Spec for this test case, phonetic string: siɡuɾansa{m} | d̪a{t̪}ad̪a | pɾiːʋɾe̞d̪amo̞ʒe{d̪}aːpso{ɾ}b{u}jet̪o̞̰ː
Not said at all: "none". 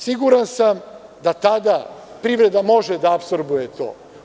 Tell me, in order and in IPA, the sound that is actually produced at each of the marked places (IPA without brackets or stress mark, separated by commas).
m, t̪, d̪, ɾ, u